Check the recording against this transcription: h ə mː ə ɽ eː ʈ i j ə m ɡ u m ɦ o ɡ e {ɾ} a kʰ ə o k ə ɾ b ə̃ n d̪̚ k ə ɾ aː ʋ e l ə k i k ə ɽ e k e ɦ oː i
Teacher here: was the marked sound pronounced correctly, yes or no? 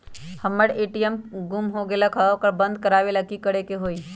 no